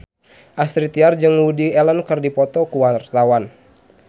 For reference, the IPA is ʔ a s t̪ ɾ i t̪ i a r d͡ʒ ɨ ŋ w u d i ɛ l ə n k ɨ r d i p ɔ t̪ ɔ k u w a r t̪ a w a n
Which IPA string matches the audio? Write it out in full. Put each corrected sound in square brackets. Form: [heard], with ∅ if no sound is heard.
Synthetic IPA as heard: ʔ a s t̪ ɾ i t̪ i a r d͡ʒ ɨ ŋ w u d i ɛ l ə n k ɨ r d i p ɔ t̪ ɔ k u w a r t̪ a w a n